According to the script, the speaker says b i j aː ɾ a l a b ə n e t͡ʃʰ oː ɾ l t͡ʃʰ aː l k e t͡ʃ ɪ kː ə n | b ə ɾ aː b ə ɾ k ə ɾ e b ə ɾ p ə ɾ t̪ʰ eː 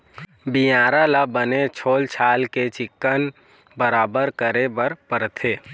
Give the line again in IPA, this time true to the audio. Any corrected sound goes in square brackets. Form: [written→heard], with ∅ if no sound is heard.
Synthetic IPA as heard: b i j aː ɾ a l a b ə n e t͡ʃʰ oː [ɾ→∅] l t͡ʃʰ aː l k e t͡ʃ ɪ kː ə n | b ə ɾ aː b ə ɾ k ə ɾ e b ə ɾ p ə ɾ t̪ʰ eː

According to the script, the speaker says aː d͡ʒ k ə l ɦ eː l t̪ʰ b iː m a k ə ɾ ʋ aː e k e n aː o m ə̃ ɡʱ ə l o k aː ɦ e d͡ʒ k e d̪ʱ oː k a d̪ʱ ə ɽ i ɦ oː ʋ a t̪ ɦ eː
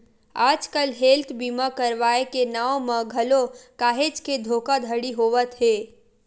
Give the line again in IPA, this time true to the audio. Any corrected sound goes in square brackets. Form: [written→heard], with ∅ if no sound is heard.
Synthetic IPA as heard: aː d͡ʒ k ə l ɦ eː l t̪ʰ b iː m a k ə ɾ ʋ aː e k e n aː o m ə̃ ɡʱ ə l o k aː ɦ e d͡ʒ k e d̪ʱ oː k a d̪ʱ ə ɽ i ɦ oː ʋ [a→ə] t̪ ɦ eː

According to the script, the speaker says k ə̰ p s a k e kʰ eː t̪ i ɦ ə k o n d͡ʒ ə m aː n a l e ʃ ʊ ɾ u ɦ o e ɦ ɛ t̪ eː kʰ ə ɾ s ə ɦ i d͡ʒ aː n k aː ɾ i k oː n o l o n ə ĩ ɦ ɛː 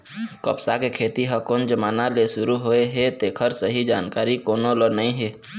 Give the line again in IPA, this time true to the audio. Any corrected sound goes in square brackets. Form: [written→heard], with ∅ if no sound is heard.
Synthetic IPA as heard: k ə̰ p s a k e kʰ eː t̪ i ɦ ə k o n d͡ʒ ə m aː n a l e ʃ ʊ ɾ u ɦ o e ɦ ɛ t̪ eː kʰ ə ɾ s ə ɦ i d͡ʒ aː n k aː ɾ i k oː n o l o n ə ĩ ɦ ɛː

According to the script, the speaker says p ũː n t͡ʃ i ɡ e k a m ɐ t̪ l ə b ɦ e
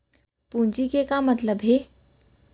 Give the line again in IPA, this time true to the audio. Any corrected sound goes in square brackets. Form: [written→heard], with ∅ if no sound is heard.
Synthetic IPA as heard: p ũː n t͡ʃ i [ɡ→k] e k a m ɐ t̪ l ə b ɦ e

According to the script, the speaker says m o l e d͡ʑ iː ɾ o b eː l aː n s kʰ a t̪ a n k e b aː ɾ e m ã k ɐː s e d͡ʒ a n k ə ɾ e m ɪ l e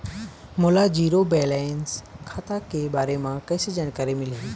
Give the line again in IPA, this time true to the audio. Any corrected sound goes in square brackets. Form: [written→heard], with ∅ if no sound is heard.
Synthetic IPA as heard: m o l [e→a] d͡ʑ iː ɾ o b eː l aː n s kʰ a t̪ a [n→∅] k e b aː ɾ e m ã k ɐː s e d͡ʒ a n k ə ɾ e m ɪ l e

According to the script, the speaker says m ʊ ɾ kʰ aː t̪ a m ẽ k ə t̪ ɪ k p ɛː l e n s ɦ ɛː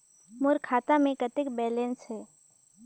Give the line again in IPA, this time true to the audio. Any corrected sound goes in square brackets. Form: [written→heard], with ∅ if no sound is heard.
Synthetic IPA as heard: m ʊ ɾ kʰ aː t̪ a m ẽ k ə t̪ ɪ k [p→b] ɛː l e n s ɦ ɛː

